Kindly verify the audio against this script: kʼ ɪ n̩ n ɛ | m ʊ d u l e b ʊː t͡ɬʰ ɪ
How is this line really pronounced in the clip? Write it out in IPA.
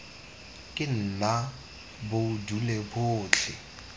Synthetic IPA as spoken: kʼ ɪ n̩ n a | b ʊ d u l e b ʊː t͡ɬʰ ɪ